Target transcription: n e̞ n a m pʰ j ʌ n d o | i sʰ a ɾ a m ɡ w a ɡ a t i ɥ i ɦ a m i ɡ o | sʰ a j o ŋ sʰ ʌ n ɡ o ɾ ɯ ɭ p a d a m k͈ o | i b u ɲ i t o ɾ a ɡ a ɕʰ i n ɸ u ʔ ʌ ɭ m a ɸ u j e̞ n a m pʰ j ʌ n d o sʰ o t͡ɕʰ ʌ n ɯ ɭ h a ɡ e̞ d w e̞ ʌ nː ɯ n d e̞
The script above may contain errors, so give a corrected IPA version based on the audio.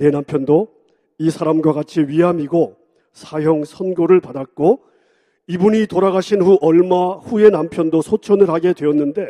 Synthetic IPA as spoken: n e̞ n a m pʰ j ʌ n d o | i sʰ a ɾ a m ɡ w a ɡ a t͡ɕʰ i ɥ i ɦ a m i ɡ o | sʰ a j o ŋ sʰ ʌ n ɡ o ɾ ɯ ɭ p a d a k͈ o | i b u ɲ i t o ɾ a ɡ a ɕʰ i n ɸ u ʔ ʌ ɭ m a ɸ u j e̞ n a m pʰ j ʌ n d o sʰ o t͡ɕʰ ʌ n ɯ ɭ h a ɡ e̞ d w e̞ ʌ nː ɯ n d e̞